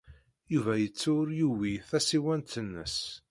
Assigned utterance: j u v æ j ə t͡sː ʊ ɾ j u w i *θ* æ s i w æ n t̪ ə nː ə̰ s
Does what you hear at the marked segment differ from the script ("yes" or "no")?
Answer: no